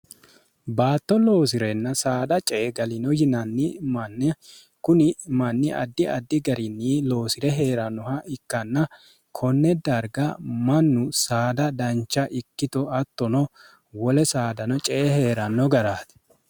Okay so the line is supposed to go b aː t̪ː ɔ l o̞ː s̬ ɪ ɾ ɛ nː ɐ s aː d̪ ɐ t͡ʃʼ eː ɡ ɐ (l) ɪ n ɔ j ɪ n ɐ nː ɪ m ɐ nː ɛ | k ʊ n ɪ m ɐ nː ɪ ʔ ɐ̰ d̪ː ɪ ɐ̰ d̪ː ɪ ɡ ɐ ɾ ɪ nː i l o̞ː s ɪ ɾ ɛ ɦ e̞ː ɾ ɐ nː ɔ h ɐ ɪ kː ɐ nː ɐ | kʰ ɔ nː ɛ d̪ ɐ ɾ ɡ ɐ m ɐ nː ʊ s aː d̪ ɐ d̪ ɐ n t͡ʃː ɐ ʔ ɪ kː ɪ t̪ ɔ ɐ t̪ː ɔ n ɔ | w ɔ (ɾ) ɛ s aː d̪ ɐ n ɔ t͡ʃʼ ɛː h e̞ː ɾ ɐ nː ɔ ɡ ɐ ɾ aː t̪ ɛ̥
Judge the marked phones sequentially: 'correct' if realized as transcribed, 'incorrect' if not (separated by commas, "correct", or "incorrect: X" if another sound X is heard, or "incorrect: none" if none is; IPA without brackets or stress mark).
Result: correct, incorrect: l